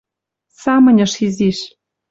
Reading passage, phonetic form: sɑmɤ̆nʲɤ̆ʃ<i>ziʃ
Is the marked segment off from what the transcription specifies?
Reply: no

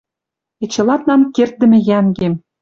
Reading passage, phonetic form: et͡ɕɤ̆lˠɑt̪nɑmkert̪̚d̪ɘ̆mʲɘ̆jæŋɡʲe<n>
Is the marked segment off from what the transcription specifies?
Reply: yes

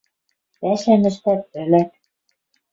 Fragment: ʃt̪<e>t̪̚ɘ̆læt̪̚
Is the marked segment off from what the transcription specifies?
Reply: yes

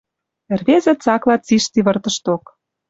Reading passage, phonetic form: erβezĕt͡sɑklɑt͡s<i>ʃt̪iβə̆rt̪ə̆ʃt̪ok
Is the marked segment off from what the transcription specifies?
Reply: no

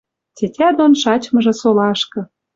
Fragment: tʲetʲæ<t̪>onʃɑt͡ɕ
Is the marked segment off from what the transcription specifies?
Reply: yes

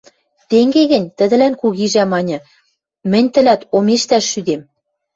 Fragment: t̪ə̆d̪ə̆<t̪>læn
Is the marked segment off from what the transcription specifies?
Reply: yes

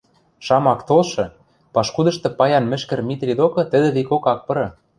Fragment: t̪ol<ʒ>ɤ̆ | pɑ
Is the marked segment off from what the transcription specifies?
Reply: yes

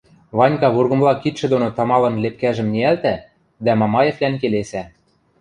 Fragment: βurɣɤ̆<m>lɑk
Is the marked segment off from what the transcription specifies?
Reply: no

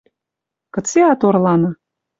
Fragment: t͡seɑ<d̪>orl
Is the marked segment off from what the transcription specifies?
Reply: yes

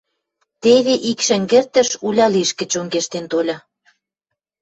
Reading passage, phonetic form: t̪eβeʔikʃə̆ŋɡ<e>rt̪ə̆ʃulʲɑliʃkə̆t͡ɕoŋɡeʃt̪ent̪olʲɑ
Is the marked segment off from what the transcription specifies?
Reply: no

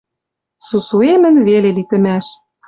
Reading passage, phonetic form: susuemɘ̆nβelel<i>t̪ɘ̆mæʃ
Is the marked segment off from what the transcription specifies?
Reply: no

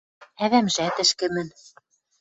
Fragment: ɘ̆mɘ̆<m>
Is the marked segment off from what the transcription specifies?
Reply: yes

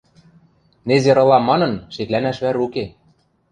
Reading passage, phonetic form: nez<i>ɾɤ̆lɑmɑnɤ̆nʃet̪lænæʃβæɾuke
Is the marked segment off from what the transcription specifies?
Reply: yes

